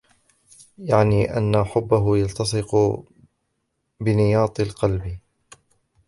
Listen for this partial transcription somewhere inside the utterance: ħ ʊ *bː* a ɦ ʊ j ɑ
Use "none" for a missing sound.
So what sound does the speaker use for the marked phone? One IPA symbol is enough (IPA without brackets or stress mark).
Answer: bː